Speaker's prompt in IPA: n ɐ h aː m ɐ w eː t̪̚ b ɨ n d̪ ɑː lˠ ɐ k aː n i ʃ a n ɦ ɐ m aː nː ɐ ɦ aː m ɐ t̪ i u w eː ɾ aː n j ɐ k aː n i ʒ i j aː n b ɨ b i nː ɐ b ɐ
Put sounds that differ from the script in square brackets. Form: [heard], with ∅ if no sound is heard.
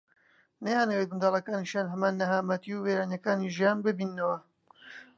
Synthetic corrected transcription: n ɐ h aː [n] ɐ w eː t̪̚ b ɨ n d̪ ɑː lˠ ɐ k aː n i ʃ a n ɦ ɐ m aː nː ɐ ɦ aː m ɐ t̪ i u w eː ɾ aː n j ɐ k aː n i ʒ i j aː n b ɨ b i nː ɐ [w] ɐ